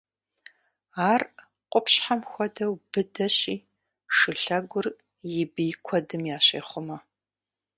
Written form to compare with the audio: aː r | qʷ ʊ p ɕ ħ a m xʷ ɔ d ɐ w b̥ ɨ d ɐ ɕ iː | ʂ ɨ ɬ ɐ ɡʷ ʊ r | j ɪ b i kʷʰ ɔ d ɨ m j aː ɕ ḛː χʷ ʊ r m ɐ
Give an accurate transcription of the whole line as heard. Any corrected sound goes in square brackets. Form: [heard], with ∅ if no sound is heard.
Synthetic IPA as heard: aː r | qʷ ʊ p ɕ ħ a m xʷ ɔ d ɐ w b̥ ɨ d ɐ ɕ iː | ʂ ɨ ɬ ɐ ɡʷ ʊ r | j ɪ b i kʷʰ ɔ d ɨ m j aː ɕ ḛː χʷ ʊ [∅] m ɐ